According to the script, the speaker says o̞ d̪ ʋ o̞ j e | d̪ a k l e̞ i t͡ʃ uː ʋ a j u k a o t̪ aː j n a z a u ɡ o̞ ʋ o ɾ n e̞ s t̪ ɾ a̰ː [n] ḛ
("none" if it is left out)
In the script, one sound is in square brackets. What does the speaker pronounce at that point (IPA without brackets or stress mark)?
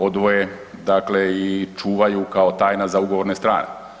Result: n